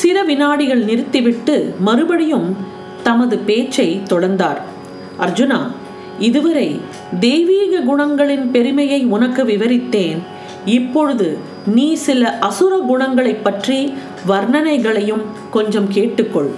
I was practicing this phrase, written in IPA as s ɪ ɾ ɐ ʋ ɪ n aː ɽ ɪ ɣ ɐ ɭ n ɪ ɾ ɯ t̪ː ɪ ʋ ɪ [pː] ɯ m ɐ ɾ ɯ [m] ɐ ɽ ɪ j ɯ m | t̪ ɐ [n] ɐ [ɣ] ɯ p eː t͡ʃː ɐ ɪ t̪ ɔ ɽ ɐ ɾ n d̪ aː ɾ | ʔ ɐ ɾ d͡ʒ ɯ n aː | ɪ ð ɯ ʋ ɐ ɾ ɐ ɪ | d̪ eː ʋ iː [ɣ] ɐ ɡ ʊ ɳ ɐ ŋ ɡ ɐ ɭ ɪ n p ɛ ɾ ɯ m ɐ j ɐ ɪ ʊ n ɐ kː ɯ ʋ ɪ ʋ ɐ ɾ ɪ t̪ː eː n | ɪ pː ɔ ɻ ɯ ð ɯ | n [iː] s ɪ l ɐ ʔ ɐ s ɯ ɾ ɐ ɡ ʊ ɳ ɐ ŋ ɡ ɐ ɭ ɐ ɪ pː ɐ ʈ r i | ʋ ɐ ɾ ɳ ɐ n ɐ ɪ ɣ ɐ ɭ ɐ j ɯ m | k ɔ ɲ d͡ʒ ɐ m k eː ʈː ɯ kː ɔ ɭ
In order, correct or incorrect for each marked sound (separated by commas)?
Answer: incorrect, incorrect, incorrect, incorrect, correct, correct